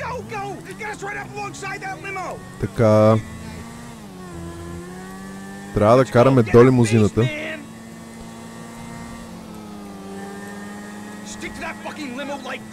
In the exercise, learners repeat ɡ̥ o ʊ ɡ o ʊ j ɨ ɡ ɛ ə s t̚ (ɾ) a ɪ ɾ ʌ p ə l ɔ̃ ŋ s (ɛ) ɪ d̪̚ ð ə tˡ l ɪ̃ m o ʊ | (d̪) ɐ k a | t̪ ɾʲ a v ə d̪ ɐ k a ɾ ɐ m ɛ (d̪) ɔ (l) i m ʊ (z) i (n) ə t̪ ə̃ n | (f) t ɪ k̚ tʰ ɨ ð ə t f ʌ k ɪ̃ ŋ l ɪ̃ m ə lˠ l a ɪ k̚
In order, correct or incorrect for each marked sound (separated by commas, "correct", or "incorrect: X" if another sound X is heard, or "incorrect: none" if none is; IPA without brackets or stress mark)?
incorrect: ɹ, incorrect: a, incorrect: t̪, correct, correct, correct, correct, incorrect: s